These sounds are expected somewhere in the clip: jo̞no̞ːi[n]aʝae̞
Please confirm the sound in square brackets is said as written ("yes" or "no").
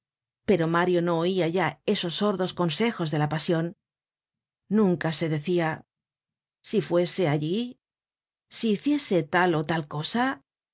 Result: no